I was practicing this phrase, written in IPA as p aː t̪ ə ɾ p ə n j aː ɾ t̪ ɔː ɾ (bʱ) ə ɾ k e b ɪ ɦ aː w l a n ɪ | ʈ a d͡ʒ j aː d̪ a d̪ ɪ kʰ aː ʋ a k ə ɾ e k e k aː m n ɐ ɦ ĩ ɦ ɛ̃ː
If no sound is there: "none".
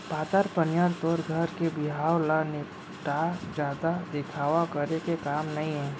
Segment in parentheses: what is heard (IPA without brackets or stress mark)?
ɡʱ